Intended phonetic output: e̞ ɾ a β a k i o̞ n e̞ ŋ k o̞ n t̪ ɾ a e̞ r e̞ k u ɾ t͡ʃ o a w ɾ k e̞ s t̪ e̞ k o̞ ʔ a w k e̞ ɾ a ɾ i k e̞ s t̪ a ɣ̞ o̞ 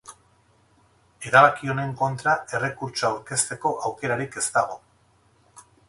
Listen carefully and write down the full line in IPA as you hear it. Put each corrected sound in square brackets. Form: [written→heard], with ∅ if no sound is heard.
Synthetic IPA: e̞ ɾ a β a k i o̞ n e̞ ŋ k o̞ n t̪ ɾ a e̞ r e̞ k u ɾ t͡ʃ o a w ɾ k e̞ s t̪ e̞ k o̞ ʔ a w k e̞ ɾ a ɾ i k e̞ s t̪ a ɣ̞ o̞